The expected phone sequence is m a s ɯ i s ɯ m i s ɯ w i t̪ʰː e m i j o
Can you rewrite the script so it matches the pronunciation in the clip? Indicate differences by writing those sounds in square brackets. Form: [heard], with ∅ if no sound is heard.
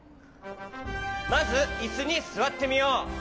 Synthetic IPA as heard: m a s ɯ i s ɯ [ɲ] i s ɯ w [a] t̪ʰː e m i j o